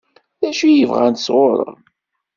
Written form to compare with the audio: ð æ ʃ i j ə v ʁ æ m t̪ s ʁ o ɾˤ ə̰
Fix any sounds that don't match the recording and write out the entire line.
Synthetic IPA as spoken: ð æ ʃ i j ə v ʁ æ n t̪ s ʁ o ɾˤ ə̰